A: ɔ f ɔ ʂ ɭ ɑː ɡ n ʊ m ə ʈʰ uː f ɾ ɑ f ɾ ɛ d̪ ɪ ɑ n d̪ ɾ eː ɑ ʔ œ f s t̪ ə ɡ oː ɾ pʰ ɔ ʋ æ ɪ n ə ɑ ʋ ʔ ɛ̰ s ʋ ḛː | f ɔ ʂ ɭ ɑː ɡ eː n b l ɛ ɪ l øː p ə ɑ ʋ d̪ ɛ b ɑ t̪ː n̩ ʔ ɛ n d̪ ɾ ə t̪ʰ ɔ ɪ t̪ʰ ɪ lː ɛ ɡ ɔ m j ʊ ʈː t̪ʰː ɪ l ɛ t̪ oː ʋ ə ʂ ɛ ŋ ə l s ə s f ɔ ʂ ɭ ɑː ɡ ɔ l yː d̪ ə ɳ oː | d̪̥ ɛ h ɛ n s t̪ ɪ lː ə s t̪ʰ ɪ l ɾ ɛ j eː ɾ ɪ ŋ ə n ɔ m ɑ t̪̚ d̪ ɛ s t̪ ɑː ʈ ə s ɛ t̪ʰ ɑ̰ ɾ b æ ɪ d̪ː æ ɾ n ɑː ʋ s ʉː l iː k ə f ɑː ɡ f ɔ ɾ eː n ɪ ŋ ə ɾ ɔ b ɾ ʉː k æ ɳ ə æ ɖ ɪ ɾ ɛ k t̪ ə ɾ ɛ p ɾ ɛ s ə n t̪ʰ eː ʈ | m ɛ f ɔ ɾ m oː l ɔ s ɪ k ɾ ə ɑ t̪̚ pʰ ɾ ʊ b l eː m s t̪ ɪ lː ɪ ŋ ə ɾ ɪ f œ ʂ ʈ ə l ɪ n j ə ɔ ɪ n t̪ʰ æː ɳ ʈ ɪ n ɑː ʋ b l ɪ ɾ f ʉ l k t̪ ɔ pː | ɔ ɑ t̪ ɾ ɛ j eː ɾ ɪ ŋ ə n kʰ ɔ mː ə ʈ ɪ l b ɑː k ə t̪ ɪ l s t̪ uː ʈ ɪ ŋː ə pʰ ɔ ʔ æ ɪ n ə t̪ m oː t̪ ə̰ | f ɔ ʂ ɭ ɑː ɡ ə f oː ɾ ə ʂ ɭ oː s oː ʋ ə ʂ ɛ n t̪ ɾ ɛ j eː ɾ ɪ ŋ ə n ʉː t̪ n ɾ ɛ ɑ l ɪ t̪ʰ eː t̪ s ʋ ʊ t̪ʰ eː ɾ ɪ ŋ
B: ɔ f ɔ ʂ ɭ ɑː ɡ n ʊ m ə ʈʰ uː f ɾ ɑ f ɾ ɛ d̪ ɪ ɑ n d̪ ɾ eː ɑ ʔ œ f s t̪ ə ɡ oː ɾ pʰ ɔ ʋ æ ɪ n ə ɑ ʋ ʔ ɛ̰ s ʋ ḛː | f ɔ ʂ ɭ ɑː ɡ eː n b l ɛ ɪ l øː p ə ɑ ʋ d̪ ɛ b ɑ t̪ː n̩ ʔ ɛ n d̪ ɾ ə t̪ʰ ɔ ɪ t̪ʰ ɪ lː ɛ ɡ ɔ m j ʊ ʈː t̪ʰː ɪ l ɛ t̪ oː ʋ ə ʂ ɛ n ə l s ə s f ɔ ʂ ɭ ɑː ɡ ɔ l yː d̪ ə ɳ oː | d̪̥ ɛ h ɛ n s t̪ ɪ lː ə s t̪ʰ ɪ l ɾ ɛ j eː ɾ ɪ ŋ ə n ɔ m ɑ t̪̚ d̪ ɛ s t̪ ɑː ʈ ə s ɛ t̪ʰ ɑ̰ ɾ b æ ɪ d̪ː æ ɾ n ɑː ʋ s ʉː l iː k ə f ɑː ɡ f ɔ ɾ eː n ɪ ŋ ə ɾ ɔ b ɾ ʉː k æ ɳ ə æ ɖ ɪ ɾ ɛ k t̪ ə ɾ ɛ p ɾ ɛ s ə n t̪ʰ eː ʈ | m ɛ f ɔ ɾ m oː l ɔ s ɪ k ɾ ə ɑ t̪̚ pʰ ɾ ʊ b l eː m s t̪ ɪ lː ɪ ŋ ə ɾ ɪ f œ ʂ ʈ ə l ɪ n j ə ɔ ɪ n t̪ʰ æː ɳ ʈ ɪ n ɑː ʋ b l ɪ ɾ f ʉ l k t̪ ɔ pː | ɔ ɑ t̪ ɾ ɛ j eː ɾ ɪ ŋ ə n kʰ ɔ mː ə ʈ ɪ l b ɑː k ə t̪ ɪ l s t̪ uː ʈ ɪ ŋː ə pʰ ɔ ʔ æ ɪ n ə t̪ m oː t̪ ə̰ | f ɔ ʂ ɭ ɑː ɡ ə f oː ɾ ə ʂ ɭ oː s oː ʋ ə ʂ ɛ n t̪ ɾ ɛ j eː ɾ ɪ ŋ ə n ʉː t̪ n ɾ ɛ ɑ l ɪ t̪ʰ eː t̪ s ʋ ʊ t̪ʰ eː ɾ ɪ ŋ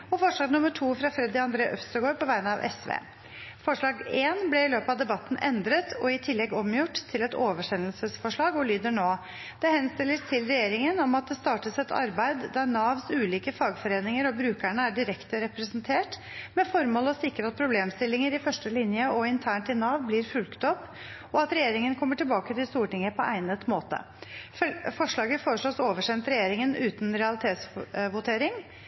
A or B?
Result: B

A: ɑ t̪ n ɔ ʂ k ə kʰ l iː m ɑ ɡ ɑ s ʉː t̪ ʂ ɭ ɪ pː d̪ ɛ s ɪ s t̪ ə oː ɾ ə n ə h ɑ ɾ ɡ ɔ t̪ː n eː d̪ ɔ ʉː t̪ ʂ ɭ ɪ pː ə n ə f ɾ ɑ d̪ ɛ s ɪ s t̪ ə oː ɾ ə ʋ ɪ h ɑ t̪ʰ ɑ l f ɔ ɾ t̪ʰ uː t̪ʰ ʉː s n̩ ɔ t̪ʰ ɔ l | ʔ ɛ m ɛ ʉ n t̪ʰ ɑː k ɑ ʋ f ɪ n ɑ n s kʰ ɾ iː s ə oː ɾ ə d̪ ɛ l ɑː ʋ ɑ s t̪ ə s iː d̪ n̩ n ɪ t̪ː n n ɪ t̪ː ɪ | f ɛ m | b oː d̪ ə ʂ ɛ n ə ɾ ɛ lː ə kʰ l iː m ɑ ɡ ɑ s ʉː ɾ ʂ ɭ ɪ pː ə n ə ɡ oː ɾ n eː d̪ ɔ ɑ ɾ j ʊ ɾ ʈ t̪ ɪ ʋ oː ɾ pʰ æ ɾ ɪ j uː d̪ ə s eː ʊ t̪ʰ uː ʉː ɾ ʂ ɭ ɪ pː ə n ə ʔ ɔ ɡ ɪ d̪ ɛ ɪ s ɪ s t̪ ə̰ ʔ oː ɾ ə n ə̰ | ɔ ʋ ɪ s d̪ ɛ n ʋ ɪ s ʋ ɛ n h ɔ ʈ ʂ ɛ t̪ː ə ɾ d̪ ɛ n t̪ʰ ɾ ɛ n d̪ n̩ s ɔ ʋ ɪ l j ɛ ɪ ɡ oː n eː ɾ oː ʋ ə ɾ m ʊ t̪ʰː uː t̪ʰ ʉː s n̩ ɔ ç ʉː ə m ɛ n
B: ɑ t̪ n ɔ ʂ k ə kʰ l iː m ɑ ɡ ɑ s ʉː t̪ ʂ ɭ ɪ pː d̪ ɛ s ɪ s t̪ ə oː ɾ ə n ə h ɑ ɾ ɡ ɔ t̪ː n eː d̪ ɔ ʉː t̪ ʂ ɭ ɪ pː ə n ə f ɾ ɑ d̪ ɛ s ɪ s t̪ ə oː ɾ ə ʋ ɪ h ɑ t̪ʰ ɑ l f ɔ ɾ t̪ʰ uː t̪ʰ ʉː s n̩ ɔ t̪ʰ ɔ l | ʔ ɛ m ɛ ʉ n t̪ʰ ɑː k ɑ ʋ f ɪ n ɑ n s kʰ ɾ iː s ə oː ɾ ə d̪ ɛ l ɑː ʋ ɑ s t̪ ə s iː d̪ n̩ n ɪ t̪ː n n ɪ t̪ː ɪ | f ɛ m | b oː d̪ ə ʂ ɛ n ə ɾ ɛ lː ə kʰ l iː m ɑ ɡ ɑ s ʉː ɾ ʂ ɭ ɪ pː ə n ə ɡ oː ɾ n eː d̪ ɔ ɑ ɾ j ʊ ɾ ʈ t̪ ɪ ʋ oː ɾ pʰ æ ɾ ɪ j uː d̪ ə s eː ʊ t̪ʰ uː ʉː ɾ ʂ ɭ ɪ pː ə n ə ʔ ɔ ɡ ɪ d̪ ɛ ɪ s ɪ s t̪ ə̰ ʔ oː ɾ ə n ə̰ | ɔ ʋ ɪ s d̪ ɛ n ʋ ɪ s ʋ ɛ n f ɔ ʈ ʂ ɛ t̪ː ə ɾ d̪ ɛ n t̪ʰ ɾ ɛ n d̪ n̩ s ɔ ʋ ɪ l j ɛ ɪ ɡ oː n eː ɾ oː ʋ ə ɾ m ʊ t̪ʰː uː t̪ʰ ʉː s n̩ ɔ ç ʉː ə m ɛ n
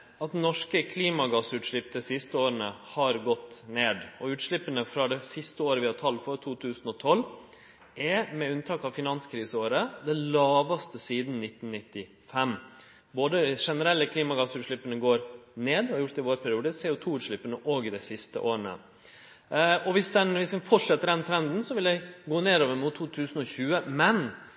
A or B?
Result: B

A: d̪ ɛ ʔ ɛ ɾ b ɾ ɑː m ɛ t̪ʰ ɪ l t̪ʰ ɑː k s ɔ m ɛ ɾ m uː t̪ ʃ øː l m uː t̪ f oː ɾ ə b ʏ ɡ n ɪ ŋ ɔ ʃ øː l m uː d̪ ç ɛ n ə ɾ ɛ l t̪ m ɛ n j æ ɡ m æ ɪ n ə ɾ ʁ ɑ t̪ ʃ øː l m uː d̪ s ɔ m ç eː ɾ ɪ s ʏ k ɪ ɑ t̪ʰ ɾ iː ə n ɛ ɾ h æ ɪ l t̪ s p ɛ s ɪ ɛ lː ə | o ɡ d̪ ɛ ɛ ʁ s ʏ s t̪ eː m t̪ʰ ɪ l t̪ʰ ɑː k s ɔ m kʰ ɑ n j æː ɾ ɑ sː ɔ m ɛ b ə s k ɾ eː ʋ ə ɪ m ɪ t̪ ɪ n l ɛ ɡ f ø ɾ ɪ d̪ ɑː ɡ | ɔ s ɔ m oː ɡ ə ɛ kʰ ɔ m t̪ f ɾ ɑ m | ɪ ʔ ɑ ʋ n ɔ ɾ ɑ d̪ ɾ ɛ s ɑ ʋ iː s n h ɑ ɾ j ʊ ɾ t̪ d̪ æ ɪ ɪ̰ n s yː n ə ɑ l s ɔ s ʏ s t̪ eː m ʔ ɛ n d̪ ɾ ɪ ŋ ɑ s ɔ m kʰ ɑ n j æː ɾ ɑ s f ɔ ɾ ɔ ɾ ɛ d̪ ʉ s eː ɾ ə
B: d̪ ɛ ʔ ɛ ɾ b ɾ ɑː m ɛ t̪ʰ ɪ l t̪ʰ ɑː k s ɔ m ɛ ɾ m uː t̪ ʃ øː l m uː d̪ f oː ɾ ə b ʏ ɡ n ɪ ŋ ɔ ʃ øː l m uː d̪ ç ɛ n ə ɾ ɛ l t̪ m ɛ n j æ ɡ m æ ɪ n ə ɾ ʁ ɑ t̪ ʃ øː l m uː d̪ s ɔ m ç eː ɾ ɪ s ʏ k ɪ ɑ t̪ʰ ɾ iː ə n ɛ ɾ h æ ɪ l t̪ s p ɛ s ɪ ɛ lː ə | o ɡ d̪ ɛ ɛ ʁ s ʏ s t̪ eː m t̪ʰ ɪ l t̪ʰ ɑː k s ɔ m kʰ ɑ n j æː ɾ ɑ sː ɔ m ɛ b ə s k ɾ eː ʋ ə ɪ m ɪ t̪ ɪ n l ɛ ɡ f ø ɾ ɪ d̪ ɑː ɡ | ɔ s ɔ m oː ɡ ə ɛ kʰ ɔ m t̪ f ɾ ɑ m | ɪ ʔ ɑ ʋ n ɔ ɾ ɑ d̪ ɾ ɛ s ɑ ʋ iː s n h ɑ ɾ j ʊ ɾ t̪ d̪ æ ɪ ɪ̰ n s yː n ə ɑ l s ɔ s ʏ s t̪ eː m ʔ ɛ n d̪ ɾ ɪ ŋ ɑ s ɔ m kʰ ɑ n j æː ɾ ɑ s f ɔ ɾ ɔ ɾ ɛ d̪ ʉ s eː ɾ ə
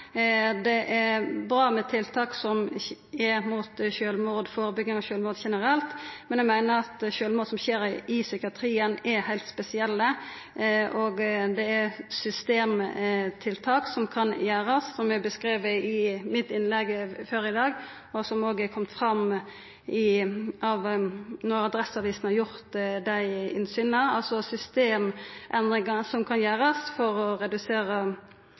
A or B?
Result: B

